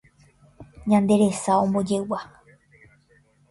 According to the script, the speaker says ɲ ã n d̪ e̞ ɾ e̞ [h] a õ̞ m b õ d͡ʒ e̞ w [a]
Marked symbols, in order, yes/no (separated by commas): no, yes